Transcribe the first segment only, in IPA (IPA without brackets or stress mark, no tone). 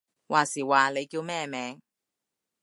w